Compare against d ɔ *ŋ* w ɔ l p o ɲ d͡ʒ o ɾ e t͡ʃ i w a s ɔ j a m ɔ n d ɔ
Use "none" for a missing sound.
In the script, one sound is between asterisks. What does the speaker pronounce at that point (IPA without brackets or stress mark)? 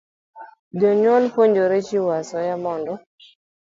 ɲ